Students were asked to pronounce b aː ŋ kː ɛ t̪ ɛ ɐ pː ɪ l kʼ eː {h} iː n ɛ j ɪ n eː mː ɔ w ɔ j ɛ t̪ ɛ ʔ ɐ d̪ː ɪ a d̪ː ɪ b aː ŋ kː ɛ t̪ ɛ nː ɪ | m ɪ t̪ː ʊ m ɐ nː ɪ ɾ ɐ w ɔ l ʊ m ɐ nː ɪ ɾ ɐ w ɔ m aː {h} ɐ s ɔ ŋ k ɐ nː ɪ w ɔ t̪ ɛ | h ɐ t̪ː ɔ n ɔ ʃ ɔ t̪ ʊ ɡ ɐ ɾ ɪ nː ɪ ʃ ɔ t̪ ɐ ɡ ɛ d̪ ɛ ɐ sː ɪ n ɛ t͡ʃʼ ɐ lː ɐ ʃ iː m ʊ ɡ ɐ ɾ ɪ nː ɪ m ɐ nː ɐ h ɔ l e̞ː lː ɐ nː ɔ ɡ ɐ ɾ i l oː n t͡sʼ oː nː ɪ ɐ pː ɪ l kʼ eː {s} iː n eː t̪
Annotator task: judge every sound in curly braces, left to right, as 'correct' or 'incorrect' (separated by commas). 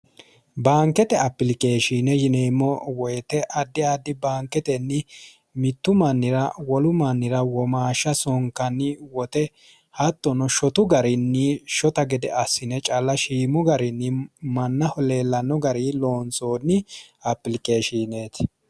incorrect, incorrect, incorrect